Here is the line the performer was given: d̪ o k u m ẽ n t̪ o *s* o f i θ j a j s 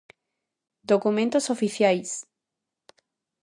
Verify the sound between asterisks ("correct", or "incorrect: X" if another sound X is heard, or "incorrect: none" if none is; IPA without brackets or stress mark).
correct